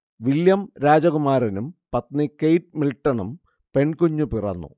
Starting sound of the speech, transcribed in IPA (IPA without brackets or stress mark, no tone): ʋ